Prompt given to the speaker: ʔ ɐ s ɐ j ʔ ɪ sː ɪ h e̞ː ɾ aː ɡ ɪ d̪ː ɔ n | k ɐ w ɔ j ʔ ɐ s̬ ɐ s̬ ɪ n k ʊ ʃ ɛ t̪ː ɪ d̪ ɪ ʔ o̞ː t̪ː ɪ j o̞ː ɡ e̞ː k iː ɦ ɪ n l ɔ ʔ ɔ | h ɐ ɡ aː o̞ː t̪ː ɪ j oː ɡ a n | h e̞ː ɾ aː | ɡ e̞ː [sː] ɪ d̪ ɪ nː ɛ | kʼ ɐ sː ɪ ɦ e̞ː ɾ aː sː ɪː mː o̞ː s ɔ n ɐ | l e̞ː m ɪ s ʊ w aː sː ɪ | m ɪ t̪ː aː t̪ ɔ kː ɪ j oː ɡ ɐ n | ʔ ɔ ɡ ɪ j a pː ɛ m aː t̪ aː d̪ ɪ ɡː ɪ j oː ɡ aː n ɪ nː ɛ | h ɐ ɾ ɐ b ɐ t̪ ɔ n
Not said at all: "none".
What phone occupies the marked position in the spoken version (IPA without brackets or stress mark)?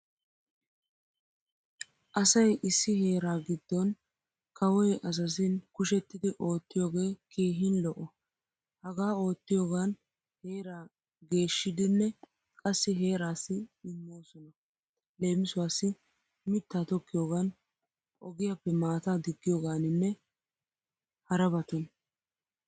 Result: ʃː